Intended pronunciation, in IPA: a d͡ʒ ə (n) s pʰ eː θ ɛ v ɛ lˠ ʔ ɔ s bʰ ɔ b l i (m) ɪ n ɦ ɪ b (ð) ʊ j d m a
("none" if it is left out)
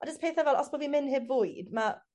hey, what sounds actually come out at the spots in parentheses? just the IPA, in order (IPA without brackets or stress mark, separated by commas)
none, m, v